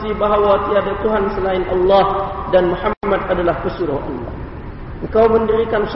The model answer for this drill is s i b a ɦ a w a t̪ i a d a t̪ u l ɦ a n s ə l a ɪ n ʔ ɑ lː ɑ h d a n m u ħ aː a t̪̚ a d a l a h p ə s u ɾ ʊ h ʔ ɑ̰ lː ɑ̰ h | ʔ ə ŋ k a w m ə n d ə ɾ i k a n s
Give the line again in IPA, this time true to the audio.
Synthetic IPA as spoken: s i b a ɦ a w a t̪ i a d a t̪ u ɦ a n s ə l a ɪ n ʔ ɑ lː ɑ h d a n m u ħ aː a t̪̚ a d a l a h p ə s u ɾ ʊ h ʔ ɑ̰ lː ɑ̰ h | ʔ ə ŋ k a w m ə n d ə ɾ i k a n s